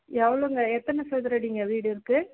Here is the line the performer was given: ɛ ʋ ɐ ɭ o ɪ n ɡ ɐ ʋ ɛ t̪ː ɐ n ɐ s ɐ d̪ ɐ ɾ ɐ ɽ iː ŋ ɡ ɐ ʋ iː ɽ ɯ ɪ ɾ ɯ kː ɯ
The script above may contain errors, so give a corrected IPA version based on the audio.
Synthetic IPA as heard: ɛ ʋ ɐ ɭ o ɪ ŋ ɡ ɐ ɛ t̪ː ɐ n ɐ s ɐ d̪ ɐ ɾ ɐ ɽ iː ŋ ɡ ɐ ʋ iː ɽ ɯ ɪ ɾ ɯ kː ɯ